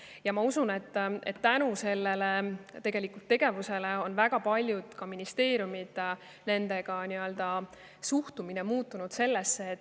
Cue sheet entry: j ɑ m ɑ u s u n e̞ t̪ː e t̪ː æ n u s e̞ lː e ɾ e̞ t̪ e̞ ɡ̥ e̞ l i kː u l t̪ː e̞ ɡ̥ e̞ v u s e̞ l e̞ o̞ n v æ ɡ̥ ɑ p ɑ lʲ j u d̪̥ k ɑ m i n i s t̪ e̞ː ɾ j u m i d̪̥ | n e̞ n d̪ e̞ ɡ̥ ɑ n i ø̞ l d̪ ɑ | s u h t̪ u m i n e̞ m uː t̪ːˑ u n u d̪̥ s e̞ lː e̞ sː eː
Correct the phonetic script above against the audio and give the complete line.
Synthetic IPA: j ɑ m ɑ u s u n e̞ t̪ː e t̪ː æ n u s e̞ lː e l e̞ t̪ e̞ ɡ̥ e̞ l i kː u l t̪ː e̞ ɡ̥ e̞ v u s e̞ l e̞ o̞ n v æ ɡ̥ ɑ p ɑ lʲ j u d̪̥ k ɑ m i n i s t̪ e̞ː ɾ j u m i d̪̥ | n e̞ n d̪ e̞ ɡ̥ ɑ n i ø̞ l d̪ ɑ | s u h t̪ u m i n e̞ m uː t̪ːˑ u n u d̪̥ s e̞ lː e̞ sː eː